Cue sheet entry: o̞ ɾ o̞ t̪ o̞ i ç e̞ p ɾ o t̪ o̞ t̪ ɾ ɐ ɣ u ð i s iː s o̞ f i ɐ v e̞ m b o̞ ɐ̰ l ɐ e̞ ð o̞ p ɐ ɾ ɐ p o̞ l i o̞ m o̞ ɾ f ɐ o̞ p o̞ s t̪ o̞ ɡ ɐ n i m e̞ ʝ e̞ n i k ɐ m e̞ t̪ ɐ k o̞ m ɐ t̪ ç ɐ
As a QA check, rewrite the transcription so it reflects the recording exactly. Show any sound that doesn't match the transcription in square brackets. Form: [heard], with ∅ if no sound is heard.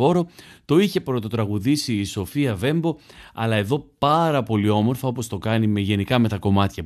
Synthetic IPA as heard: o̞ ɾ o̞ t̪ o̞ i ç e̞ p ɾ o t̪ o̞ t̪ ɾ ɐ ɣ u ð i s iː s o̞ f i ɐ v e̞ m b o̞ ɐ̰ l ɐ e̞ ð o̞ p ɐ ɾ ɐ p o̞ l i o̞ m o̞ ɾ f ɐ o̞ p o̞ s t̪ o̞ [k] ɐ n i m e̞ ʝ e̞ n i k ɐ m e̞ t̪ ɐ k o̞ m ɐ t̪ ç ɐ